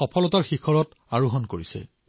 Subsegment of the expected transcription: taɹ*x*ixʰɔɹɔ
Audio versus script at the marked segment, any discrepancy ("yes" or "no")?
no